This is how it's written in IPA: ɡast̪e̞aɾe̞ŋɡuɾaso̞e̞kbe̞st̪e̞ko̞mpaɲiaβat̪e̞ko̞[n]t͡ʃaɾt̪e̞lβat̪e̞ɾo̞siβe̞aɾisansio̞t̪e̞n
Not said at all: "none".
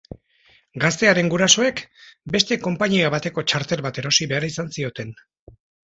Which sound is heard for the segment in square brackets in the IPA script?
none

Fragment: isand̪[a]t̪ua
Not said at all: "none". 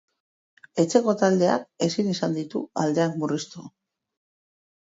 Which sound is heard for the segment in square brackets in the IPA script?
i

